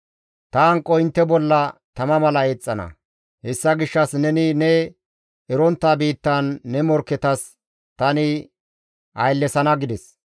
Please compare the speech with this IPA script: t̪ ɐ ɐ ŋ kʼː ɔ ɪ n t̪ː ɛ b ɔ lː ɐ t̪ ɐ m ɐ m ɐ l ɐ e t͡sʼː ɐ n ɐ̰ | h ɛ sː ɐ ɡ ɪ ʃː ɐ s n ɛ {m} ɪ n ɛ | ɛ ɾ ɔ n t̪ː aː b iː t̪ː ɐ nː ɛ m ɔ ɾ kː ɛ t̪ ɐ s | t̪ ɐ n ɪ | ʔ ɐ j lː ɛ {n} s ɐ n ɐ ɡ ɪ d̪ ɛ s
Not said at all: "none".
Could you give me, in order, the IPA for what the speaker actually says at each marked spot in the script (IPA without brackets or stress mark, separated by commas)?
n, none